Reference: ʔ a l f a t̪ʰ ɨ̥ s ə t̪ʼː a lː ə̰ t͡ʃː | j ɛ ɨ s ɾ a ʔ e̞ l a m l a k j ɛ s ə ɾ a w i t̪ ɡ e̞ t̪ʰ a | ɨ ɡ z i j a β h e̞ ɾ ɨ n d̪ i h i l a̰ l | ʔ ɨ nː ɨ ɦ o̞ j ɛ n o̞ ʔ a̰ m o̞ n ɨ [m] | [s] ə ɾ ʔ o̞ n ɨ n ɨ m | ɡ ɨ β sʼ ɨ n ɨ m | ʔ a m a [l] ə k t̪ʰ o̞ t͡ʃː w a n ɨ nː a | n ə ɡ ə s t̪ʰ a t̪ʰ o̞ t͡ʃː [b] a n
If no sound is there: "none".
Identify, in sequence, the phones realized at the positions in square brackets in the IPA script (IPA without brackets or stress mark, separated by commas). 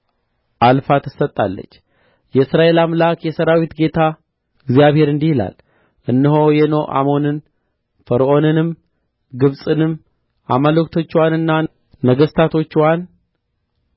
n, f, l, w